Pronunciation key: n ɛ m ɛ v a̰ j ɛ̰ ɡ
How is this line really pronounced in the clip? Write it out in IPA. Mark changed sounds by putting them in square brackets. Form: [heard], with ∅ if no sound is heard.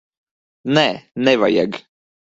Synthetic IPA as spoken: n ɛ [n] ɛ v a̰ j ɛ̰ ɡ